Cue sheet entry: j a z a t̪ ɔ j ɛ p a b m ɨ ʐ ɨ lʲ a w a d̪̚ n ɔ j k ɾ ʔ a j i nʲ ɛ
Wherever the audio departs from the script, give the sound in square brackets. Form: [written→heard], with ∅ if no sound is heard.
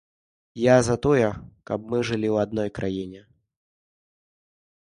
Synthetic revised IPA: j a z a t̪ ɔ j ɛ [p→k] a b m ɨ ʐ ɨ lʲ [a→i] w a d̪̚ n ɔ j k ɾ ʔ a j i nʲ ɛ